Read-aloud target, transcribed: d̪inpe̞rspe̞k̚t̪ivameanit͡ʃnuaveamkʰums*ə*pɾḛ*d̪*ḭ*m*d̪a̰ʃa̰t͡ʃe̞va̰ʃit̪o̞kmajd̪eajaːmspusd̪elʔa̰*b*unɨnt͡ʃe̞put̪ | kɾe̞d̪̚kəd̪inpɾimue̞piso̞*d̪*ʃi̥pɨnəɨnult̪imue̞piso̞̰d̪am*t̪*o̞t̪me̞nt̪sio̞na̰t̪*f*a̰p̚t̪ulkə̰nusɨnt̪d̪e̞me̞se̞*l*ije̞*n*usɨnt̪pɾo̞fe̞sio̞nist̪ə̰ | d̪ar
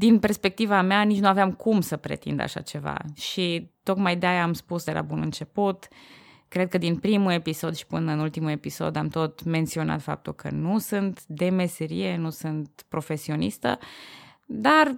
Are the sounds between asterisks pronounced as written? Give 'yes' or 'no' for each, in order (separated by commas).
yes, no, no, yes, yes, yes, yes, no, yes